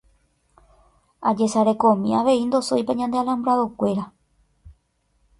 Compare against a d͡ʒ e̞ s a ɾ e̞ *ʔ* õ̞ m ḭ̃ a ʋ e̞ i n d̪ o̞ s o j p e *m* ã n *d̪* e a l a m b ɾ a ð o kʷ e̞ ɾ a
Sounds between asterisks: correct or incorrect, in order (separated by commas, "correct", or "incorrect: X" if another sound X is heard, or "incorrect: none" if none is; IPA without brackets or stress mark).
incorrect: k, incorrect: ɲ, correct